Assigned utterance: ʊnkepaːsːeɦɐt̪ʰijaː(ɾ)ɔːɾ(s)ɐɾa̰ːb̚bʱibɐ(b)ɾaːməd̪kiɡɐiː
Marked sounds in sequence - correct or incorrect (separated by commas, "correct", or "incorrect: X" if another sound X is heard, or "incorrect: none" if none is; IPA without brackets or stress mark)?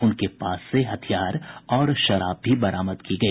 correct, incorrect: ʃ, incorrect: none